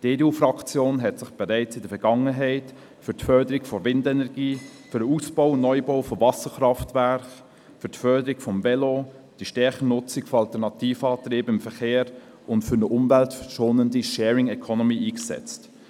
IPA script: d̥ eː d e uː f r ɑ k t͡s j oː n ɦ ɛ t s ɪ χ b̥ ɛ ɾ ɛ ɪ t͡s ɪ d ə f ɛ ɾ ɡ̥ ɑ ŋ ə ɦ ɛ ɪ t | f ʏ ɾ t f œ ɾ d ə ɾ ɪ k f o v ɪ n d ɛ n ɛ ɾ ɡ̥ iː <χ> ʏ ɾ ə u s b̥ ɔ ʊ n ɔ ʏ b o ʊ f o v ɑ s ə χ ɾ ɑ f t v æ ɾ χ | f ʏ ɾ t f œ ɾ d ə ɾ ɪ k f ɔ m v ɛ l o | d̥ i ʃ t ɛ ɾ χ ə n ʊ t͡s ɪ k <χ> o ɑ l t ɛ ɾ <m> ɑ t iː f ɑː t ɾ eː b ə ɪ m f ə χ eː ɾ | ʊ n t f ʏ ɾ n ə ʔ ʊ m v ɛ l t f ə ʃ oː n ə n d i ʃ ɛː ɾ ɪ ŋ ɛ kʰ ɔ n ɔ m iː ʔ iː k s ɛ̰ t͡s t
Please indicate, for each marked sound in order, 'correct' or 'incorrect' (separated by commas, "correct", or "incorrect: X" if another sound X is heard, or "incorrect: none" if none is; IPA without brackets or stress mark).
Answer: incorrect: f, incorrect: f, incorrect: n